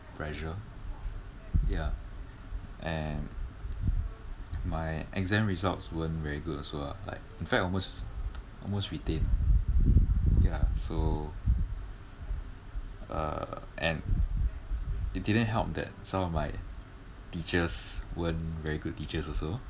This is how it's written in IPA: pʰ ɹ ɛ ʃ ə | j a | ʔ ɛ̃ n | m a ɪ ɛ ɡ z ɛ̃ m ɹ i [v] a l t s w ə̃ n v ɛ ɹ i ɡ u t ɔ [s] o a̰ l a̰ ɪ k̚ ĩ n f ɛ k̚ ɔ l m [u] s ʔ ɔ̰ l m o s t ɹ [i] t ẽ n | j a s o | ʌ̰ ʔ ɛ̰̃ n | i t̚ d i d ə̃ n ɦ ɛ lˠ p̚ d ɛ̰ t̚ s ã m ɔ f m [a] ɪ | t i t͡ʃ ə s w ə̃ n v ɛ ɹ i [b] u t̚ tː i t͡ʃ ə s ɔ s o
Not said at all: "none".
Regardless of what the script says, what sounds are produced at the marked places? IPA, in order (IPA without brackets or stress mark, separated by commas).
z, s, o, i, a, ɡ